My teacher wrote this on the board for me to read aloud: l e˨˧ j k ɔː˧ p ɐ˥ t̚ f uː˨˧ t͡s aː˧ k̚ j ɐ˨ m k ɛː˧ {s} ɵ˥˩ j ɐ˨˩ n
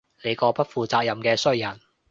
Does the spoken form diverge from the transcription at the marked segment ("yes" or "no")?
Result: no